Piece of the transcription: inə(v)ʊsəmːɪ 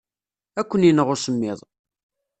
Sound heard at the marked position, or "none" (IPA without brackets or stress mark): ʁ